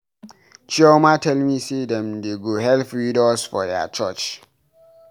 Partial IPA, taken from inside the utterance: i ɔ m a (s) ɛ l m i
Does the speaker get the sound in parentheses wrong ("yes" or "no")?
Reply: yes